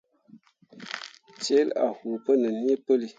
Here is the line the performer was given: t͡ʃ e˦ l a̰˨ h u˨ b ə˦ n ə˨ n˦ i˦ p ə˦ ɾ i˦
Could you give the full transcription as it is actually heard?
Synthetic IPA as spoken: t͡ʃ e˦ l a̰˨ h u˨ p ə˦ n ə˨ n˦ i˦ p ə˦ l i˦